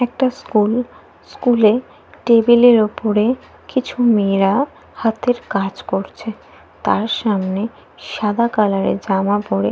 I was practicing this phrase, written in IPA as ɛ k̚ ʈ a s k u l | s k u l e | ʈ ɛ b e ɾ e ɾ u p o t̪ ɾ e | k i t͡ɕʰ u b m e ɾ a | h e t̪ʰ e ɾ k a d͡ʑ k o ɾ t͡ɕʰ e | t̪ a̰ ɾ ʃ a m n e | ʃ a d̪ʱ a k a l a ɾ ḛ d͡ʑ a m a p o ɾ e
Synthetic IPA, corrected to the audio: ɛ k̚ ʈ a s k u l | s k u l e | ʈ e b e l e ɾ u p o ɾ e | k i t͡ɕʰ u m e ɾ a | h a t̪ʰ e ɾ k a d͡ʑ k o ɾ t͡ɕʰ e | t̪ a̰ ɾ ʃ a m n e | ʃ a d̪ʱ a k a l a ɾ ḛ d͡ʑ a m a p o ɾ e

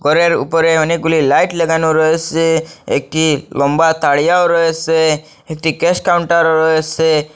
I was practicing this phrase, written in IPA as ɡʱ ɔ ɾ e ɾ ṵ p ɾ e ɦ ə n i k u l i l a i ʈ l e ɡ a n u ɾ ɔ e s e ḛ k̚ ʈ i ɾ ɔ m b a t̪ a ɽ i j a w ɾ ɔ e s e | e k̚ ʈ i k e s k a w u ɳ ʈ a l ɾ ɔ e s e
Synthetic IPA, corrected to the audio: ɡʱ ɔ ɾ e ɾ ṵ p ɾ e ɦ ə n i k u l i l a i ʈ l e ɡ a n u ɾ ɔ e s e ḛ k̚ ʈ i l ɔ m b a t̪ a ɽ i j a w ɾ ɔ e s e | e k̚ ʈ i k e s k a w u ɳ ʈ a ɾ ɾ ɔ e s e

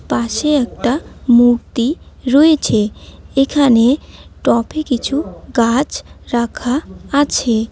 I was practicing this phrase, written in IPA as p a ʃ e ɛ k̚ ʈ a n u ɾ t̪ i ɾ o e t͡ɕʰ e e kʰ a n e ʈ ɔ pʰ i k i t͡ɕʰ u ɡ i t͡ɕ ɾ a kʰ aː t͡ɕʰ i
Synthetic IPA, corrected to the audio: p a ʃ e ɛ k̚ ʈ a m u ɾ t̪ i ɾ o e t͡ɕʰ e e kʰ a n e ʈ ɔ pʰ e k i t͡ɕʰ u ɡ a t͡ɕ ɾ a kʰ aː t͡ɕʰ e

